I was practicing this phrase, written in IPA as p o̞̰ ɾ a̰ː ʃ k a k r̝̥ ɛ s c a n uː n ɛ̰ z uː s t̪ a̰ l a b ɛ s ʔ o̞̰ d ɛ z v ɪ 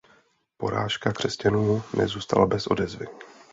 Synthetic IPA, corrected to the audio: p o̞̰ ɾ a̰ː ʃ k a k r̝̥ ɛ s c a n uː n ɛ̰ z uː s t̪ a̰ l a b ɛ s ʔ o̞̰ d ɛ z v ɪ